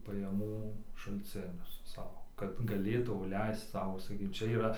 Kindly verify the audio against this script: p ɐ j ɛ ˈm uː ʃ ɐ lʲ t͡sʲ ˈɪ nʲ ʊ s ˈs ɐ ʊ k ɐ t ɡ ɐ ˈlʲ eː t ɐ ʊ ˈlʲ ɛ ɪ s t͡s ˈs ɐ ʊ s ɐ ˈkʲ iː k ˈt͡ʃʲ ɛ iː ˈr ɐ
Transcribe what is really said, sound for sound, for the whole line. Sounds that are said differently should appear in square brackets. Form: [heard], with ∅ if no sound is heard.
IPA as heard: p ɐ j ɛ ˈm uː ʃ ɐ lʲ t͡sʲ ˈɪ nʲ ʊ s ˈs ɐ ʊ k ɐ t ɡ ɐ ˈlʲ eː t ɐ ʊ ˈlʲ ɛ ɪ s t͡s ˈs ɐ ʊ s ɐ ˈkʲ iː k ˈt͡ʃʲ ɛ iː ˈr ɐ